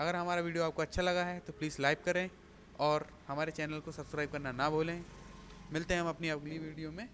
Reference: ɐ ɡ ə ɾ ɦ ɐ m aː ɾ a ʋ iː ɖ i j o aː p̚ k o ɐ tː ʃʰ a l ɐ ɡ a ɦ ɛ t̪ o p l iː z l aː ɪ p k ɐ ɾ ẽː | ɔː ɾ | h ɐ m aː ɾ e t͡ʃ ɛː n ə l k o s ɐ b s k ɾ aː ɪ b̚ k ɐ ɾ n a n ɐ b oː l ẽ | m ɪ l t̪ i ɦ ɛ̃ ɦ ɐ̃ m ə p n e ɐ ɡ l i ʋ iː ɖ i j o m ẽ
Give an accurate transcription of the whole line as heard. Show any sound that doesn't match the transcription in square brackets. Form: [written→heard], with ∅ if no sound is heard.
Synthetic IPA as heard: ɐ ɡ ə ɾ ɦ ɐ m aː ɾ a ʋ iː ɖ i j o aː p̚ k o ɐ tː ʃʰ a l ɐ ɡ a ɦ ɛ t̪ o p l iː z l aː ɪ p k ɐ ɾ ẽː | ɔː ɾ | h ɐ m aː ɾ e t͡ʃ ɛː n ə l k o s ɐ b s k ɾ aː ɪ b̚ k ɐ ɾ n a n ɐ b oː l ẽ | m ɪ l t̪ [i→e] ɦ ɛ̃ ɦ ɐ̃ m [ə→ɐ] p n [e→i] ɐ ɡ l i ʋ iː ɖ i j o m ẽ